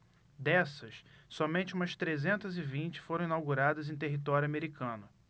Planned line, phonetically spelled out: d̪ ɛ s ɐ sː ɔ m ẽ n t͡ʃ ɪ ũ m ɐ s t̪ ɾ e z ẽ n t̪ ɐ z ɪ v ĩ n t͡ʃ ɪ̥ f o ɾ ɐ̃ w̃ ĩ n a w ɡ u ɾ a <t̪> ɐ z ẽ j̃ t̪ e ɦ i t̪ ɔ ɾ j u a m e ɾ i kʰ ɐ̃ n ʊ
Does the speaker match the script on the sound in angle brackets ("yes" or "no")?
no